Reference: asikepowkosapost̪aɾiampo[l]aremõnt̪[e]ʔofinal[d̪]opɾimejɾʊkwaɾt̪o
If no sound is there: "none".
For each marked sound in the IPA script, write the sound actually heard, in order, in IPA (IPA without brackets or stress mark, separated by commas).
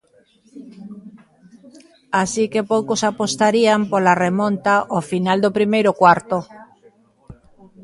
l, a, d̪